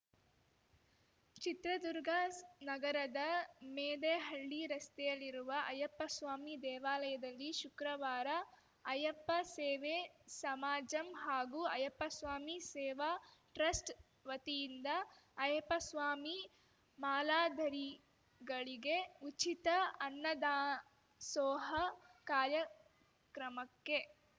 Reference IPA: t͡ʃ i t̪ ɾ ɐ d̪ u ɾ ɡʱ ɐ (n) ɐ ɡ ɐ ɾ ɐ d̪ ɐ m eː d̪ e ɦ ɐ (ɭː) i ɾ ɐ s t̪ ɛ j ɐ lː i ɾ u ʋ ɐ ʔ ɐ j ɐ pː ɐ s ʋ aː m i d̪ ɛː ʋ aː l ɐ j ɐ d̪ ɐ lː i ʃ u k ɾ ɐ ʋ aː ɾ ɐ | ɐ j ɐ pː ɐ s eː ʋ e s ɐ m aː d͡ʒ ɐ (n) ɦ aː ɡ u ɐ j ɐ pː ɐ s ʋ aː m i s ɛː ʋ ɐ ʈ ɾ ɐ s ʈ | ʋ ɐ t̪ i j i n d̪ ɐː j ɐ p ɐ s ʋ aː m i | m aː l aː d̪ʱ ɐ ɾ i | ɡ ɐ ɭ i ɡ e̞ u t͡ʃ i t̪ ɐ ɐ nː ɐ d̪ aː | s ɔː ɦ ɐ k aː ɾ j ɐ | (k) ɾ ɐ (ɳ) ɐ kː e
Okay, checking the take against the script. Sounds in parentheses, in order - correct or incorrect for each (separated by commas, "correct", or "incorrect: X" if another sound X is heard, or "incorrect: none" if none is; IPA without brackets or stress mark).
correct, correct, incorrect: m, correct, incorrect: m